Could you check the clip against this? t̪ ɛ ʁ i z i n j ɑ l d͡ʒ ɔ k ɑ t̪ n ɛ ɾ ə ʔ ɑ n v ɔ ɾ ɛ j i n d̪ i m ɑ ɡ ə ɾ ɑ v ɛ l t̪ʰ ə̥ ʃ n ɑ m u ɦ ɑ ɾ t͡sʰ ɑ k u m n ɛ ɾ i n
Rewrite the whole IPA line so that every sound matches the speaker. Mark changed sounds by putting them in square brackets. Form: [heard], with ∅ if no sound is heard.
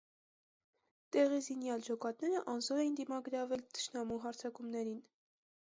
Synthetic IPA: t̪ ɛ ʁ i z i n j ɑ l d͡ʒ ɔ k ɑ t̪ n ɛ ɾ ə ʔ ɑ n [z] ɔ ɾ ɛ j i n d̪ i m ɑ ɡ ə ɾ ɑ v ɛ l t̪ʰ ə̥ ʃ n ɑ m u ɦ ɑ ɾ t͡sʰ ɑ k u m n ɛ ɾ i n

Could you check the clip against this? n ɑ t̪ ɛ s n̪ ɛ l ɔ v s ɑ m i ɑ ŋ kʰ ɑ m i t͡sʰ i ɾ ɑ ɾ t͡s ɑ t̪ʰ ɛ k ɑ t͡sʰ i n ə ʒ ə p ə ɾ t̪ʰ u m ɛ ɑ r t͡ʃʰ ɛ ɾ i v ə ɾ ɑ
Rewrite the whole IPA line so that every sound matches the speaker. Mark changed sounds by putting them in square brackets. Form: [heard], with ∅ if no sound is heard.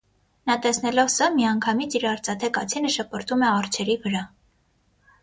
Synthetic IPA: n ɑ t̪ ɛ s n̪ ɛ l ɔ v s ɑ m i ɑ ŋ kʰ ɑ m i t͡sʰ i ɾ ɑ ɾ t͡s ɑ t̪ʰ ɛ k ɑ t͡sʰ i n ə [ʃ] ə p ə ɾ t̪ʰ u m ɛ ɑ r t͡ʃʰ ɛ ɾ i v ə ɾ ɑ

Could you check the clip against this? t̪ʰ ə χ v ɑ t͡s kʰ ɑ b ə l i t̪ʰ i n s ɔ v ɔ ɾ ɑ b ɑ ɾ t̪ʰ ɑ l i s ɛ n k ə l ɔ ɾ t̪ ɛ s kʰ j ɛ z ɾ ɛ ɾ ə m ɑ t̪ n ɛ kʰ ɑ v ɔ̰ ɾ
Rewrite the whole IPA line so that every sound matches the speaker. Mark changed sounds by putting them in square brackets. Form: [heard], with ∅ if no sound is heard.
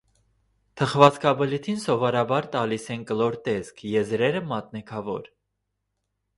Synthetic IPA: t̪ʰ ə χ v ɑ t͡s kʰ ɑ b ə l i t̪ʰ i n s ɔ v ɔ ɾ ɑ b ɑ ɾ [t̪] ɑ l i s ɛ n k ə l ɔ ɾ t̪ ɛ s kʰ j ɛ z ɾ ɛ ɾ ə m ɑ t̪ n ɛ kʰ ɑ v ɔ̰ ɾ

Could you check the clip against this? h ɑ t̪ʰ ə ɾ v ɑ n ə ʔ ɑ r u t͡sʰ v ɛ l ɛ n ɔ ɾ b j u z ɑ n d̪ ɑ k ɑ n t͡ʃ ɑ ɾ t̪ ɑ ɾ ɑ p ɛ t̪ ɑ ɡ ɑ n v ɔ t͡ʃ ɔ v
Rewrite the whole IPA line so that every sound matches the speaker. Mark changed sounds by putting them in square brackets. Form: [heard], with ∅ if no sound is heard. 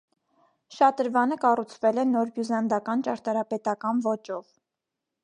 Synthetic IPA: [ʃ] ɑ [t̪] ə ɾ v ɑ n ə [k] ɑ r u t͡sʰ v ɛ l ɛ n ɔ ɾ b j u z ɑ n d̪ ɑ k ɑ n t͡ʃ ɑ ɾ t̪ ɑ ɾ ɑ p ɛ t̪ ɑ [k] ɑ n v ɔ t͡ʃ ɔ v

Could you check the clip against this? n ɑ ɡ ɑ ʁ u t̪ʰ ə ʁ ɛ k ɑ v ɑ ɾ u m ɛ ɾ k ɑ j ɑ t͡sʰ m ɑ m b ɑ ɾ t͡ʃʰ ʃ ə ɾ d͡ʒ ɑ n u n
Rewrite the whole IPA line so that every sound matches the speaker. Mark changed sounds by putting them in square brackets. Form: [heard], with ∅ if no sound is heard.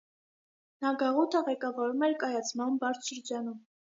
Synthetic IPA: n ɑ ɡ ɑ ʁ u t̪ʰ ə ʁ ɛ k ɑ v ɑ ɾ u m ɛ ɾ k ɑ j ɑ t͡sʰ m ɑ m b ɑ ɾ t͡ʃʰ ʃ ə ɾ d͡ʒ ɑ n u [m]

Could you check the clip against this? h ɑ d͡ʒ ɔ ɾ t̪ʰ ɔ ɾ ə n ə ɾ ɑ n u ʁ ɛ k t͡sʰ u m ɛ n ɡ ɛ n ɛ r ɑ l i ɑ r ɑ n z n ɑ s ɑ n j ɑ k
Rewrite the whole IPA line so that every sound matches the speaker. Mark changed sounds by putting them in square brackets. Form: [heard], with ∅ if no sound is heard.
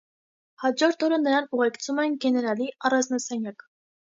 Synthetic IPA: h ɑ d͡ʒ ɔ ɾ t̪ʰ ɔ ɾ ə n ə ɾ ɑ n u ʁ ɛ k t͡sʰ u m ɛ n ɡ ɛ n ɛ [ɾ] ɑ l i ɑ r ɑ n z n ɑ s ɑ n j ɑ k

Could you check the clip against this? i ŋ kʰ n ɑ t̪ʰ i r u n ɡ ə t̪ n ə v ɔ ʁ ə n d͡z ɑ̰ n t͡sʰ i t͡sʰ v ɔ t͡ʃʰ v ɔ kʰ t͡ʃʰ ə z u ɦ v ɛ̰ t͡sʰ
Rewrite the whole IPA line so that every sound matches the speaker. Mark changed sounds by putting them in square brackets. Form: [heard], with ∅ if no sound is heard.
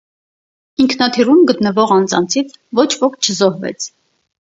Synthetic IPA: i ŋ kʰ n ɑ t̪ʰ i r u [m] ɡ ə t̪ n ə v ɔ ʁ [ɑ] n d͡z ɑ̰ n t͡sʰ i t͡sʰ v ɔ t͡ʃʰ v ɔ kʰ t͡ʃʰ ə z [ɔ] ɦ v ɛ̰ t͡sʰ

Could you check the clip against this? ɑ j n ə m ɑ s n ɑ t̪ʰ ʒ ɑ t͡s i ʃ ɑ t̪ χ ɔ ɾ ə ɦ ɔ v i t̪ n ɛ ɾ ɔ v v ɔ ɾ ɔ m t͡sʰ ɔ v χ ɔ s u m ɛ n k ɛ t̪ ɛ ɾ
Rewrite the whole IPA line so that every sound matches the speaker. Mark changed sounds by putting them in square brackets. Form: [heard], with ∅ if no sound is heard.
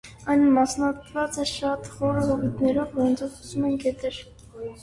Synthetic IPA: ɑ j n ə m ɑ s n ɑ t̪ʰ [v] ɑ t͡s [ɛ] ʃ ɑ t̪ χ ɔ ɾ ə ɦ ɔ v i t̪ n ɛ ɾ ɔ v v ɔ ɾ ɔ [n] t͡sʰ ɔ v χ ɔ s u m ɛ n k ɛ t̪ ɛ ɾ

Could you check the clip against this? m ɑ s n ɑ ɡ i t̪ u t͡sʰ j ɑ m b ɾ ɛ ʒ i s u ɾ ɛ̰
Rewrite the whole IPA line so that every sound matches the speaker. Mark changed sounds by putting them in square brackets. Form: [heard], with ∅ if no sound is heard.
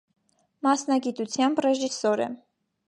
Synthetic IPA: m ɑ s n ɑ ɡ i t̪ u t͡sʰ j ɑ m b [r] ɛ ʒ i s [ɔ] ɾ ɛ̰

